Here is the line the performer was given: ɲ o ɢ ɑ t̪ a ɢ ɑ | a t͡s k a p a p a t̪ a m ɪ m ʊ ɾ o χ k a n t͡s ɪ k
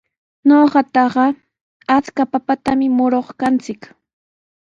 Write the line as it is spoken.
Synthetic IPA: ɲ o ɢ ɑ t̪ ɑ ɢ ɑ | a t͡s k a p a p a t̪ a m ɪ m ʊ ɾ o χ k a n t͡s ɪ k